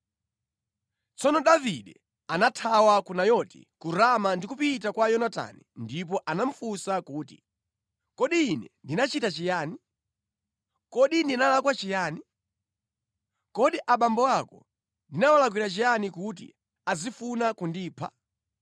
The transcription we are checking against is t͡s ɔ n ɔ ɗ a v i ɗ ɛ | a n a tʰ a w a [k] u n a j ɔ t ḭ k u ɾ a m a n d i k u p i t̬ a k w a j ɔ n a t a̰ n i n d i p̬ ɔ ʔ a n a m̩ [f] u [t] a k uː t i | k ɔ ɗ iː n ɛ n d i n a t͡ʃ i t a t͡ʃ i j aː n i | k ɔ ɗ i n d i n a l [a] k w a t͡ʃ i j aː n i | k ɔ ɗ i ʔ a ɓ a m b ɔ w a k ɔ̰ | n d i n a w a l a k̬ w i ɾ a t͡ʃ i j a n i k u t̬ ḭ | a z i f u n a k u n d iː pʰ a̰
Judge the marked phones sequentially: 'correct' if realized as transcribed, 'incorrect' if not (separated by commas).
correct, correct, incorrect, correct